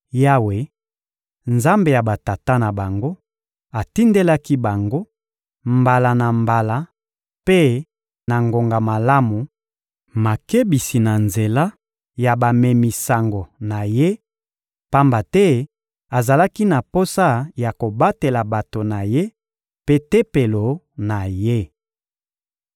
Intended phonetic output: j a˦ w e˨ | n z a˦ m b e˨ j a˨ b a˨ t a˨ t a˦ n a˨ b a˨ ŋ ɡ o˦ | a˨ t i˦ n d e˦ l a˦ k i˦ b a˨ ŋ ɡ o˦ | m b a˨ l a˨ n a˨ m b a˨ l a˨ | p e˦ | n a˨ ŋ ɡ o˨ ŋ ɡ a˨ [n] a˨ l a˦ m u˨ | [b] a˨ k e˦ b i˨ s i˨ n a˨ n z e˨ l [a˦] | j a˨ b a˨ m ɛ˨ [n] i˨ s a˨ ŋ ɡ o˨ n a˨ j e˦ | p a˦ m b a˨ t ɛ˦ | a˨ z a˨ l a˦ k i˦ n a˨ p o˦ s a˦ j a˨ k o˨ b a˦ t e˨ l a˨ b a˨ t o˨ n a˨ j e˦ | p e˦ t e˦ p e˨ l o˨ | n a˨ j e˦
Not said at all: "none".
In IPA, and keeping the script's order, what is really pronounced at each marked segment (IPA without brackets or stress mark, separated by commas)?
m, m, a˦, m